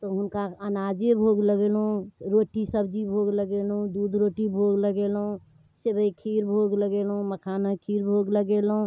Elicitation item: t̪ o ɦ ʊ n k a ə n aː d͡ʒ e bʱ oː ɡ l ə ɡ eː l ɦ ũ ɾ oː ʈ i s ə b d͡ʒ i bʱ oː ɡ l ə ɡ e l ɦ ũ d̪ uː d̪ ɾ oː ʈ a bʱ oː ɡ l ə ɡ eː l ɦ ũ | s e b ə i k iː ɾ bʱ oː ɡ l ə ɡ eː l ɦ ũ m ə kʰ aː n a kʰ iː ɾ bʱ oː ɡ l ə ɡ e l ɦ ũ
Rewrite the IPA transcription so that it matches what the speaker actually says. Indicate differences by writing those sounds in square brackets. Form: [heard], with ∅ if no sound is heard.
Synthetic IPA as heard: t̪ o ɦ ʊ n k a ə n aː d͡ʒ e bʱ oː ɡ l ə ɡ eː l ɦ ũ ɾ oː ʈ i s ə b d͡ʒ i bʱ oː ɡ l ə ɡ e l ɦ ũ d̪ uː d̪ ɾ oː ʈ [i] bʱ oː ɡ l ə ɡ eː l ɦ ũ | s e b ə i [kʰ] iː ɾ bʱ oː ɡ l ə ɡ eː l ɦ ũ m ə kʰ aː n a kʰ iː ɾ bʱ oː ɡ l ə ɡ e l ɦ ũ

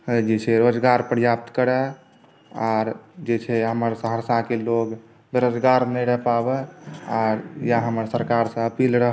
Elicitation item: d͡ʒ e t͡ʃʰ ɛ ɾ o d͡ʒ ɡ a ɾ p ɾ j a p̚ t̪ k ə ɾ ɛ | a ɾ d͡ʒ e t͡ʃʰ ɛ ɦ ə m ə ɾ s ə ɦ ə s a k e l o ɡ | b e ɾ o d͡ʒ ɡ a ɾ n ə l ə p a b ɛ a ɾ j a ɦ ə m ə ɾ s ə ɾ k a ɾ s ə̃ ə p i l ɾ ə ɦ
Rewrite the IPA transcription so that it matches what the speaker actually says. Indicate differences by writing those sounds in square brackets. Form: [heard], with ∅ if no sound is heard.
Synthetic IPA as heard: d͡ʒ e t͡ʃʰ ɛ ɾ o d͡ʒ ɡ a ɾ p ɾ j a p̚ t̪ k ə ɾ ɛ | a ɾ d͡ʒ e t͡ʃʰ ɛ ɦ ə m ə ɾ s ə ɦ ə s a k e l o ɡ | b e ɾ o d͡ʒ ɡ a ɾ n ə [ɾ] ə p a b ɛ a ɾ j a ɦ ə m ə ɾ s ə ɾ k a ɾ s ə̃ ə p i l ɾ ə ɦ

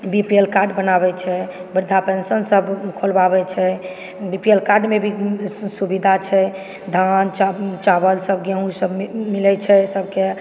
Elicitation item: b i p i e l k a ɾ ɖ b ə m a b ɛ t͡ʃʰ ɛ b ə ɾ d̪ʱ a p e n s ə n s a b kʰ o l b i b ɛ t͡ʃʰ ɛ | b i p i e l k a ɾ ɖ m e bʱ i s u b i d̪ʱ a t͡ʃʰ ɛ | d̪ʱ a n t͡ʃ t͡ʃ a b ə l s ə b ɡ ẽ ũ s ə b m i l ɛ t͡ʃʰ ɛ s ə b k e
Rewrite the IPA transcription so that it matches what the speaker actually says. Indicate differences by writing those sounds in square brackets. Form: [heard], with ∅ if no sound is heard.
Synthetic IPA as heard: b i p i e l k a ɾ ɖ b ə [n] a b ɛ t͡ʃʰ ɛ b ə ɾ d̪ʱ a p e n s ə n s [ə] b kʰ o l b [a] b ɛ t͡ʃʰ ɛ | b i p i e l k a ɾ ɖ m e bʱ i s u b i d̪ʱ a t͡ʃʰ ɛ | d̪ʱ a n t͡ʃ t͡ʃ a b ə l s ə b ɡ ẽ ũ s ə b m i l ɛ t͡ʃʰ ɛ s ə b k e

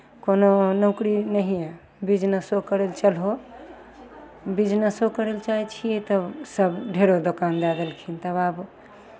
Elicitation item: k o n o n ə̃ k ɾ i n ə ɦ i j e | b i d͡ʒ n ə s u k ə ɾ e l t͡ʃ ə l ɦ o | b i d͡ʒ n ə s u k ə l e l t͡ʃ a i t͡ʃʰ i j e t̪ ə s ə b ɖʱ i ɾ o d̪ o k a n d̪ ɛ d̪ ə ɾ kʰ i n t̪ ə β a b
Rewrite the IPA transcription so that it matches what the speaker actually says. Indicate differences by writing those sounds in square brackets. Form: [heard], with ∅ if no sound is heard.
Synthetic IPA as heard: k o n o n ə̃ k ɾ i n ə ɦ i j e | b i d͡ʒ n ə s [o] k ə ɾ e l t͡ʃ ə l ɦ o | b i d͡ʒ n ə s [o] k ə [ɾ] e l t͡ʃ a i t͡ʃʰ i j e t̪ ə s ə b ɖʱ [e] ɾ o d̪ o k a n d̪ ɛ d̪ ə [l] kʰ i n t̪ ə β a b

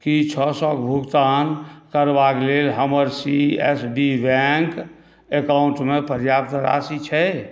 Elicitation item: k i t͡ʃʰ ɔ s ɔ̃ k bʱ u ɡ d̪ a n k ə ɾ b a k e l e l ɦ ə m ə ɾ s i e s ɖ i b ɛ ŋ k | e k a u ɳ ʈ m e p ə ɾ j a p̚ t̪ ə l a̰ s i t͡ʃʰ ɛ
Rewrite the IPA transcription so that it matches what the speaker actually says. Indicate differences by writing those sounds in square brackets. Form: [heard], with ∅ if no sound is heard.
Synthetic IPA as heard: k i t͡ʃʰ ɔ s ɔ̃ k bʱ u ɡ [t̪] a n k ə ɾ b a k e l e l ɦ ə m ə ɾ s i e s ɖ i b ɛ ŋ k | e k a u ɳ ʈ m e p ə ɾ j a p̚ t̪ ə [ɾ] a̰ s i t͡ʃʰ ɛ

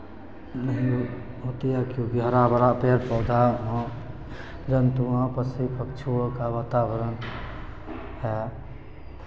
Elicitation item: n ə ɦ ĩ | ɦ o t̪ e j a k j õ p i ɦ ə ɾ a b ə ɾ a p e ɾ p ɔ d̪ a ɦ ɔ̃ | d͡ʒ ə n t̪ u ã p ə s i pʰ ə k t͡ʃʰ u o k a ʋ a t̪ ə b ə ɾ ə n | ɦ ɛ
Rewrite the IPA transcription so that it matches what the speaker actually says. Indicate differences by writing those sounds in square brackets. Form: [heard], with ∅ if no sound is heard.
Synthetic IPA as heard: n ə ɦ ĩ | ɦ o t̪ [i] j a k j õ [k] i ɦ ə ɾ a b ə ɾ a p e ɾ p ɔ d̪ a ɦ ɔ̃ | d͡ʒ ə n t̪ u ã p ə s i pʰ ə k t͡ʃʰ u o k a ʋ a t̪ [a] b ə ɾ ə n | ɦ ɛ

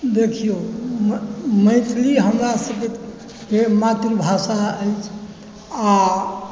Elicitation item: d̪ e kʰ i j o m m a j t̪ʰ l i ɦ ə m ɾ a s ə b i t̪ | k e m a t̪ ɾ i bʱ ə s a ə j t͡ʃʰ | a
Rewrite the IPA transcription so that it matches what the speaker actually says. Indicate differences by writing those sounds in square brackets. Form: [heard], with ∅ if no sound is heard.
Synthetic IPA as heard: d̪ e kʰ i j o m m [ə] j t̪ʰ l i ɦ ə m ɾ a s ə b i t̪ | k e m a t̪ ɾ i bʱ [a] s a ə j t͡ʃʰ | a

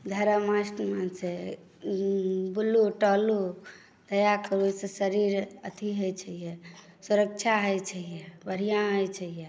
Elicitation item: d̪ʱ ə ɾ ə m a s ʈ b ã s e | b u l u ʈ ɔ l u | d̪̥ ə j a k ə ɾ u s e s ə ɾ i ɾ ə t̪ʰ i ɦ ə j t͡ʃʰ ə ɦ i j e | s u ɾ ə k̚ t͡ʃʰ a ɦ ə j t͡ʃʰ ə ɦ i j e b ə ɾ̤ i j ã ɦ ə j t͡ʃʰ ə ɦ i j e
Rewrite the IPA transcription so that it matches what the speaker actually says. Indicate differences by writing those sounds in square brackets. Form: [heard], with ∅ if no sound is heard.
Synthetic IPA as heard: d̪ʱ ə ɾ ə m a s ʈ [m] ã s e | b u l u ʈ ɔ l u | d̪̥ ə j a k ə ɾ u s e s ə ɾ i ɾ ə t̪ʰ i ɦ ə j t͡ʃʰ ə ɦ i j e | s u ɾ ə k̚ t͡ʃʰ a ɦ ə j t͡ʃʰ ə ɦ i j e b ə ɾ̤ i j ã ɦ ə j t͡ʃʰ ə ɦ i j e

